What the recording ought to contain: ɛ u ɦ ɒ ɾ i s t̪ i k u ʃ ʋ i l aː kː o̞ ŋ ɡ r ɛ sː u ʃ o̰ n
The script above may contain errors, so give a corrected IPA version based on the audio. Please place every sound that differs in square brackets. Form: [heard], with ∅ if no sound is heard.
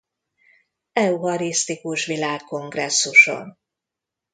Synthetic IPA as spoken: ɛ u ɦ ɒ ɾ i s t̪ i k u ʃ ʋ i l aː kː o̞ ŋ ɡ r ɛ sː u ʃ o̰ n

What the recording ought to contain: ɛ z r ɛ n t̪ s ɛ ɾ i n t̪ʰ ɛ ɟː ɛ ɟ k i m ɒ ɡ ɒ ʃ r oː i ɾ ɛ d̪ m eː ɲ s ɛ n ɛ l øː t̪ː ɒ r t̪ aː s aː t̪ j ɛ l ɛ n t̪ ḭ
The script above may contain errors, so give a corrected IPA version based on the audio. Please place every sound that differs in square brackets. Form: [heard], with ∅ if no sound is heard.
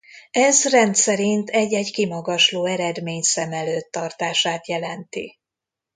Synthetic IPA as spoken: ɛ z r ɛ n t̪ s ɛ ɾ i n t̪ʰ ɛ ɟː ɛ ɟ k i m ɒ ɡ ɒ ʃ [l] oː [ɛ] ɾ ɛ d̪ m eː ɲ s ɛ [m] ɛ l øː t̪ː ɒ r t̪ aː [ʃ] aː t̪ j ɛ l ɛ n t̪ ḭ

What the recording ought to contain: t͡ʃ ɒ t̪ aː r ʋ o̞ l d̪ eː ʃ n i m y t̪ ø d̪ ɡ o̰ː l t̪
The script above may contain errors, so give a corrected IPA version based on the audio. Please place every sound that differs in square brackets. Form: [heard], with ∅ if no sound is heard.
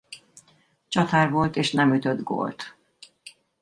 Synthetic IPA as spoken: t͡ʃ ɒ t̪ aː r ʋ o̞ l [t̪] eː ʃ n [ɛ] m y t̪ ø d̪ ɡ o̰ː l t̪

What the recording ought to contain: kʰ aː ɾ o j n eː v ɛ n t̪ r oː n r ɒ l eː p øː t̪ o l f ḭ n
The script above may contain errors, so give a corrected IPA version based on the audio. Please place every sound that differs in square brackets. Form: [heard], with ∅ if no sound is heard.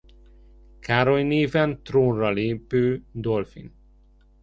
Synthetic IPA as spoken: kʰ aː ɾ o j n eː v ɛ n t̪ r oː n r ɒ l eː p øː [d̪] o l f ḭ n

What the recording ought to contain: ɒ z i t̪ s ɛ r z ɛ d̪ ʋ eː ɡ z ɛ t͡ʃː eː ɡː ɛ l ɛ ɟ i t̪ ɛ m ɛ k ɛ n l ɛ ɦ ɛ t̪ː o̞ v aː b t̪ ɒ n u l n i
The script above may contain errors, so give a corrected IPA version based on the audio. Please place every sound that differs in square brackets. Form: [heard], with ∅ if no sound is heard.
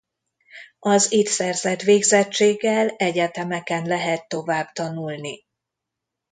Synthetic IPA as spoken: ɒ z i t̪ s ɛ r z ɛ [t̪] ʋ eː ɡ z ɛ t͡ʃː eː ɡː ɛ l ɛ ɟ [ɛ] t̪ ɛ m ɛ k ɛ n l ɛ ɦ ɛ t̪ː o̞ v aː b t̪ ɒ n u l n i

